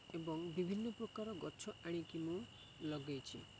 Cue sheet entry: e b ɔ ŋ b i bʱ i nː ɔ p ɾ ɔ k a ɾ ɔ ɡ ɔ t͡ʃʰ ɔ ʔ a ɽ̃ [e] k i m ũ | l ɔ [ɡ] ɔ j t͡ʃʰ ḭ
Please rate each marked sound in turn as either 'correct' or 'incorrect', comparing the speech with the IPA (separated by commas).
incorrect, correct